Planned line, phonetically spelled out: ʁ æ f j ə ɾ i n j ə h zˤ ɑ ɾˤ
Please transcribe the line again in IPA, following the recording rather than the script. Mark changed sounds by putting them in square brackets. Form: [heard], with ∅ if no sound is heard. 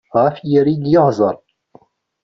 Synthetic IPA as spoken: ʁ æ f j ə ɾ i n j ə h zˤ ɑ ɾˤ